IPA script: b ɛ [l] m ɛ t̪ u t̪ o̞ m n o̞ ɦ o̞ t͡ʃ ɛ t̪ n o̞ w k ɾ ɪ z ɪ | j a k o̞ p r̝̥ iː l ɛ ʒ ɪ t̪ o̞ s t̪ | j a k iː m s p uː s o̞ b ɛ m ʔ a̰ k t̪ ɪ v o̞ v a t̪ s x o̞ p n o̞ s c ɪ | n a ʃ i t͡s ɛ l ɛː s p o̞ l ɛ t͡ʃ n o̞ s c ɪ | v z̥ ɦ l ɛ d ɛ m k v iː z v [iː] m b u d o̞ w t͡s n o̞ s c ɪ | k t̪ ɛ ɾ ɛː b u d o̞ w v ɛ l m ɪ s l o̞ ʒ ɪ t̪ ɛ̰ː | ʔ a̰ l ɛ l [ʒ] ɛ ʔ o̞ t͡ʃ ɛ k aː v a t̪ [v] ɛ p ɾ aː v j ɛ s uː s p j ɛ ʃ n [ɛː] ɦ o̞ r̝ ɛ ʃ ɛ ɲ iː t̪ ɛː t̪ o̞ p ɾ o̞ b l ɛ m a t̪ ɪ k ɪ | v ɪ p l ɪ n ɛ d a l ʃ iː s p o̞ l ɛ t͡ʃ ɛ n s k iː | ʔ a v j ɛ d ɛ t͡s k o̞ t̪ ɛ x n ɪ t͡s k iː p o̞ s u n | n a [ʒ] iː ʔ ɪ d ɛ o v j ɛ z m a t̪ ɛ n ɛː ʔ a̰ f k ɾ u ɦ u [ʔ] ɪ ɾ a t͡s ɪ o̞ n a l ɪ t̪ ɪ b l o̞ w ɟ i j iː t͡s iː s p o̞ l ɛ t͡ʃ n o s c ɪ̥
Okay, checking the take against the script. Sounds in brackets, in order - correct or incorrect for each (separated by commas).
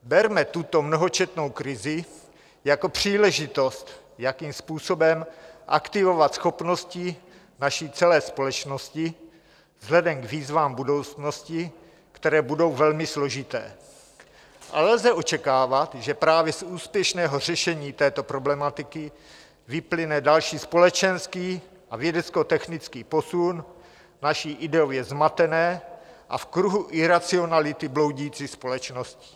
incorrect, incorrect, incorrect, incorrect, correct, incorrect, correct